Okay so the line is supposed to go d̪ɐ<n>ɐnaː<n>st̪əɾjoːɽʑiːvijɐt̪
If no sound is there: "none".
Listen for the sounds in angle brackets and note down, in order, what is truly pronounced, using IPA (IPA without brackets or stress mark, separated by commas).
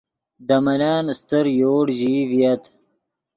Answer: m, n